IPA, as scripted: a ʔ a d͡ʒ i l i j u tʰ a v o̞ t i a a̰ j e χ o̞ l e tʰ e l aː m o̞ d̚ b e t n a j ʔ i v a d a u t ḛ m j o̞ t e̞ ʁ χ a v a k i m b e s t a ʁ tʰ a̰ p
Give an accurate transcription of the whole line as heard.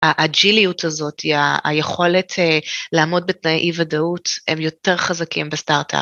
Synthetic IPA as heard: a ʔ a d͡ʒ i l i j u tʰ a z o̞ t i a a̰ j e χ o̞ l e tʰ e l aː m o̞ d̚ b e t n a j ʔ i v a d a u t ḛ m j o̞ t e̞ ʁ χ a z a k i m b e s t a ʁ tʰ a̰ p